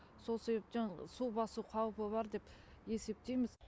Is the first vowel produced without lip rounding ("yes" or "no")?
no